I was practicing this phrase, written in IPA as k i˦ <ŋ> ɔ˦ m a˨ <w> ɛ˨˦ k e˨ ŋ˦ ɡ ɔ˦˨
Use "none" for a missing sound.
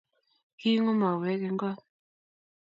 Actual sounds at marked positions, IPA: ŋ, w

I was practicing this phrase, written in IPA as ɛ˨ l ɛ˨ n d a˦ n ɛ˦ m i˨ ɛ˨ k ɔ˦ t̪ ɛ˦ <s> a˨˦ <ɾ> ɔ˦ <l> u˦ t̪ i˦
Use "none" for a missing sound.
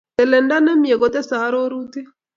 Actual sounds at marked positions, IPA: s, ɾ, ɾ

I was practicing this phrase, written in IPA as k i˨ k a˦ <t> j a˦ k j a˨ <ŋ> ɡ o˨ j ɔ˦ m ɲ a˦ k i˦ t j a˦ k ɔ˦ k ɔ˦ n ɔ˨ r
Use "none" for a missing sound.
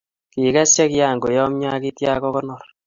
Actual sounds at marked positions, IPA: s, ŋ

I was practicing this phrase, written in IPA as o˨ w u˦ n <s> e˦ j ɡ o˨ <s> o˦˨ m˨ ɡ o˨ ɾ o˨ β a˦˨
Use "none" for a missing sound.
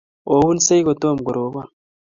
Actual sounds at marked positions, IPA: s, t

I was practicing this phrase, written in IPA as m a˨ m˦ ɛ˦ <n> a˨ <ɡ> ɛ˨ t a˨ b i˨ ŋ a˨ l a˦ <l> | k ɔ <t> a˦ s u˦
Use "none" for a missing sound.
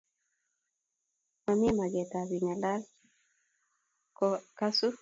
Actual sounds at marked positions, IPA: m, ɡ, l, k

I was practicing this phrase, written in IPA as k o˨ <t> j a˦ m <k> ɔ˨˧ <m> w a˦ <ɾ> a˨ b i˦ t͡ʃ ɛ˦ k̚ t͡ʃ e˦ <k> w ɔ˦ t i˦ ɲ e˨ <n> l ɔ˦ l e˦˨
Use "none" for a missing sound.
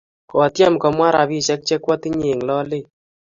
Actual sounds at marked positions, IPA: t, k, m, ɾ, k, ŋ

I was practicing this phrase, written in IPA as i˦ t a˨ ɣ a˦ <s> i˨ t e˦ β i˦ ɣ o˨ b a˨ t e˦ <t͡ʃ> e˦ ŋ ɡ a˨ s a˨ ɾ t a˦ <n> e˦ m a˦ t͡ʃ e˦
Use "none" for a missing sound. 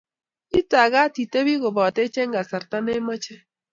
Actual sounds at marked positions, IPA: t, t͡ʃ, n

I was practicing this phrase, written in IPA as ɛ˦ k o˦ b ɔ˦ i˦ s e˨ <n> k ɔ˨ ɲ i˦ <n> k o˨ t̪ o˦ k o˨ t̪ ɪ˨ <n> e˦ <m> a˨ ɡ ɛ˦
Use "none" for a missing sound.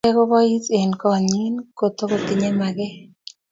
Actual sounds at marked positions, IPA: n, n, ɲ, m

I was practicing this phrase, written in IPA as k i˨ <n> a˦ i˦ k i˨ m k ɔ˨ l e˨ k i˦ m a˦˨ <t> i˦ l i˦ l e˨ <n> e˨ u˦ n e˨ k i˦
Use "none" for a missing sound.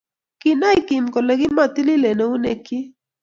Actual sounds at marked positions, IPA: n, t, n

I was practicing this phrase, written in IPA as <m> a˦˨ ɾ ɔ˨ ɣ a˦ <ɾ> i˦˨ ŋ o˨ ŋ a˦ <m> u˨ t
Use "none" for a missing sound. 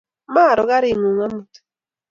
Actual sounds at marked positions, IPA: m, ɾ, m

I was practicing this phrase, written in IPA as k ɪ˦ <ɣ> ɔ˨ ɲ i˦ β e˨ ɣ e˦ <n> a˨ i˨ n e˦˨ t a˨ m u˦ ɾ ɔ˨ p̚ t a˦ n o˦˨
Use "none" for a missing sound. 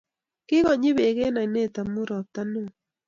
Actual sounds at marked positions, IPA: ɣ, n

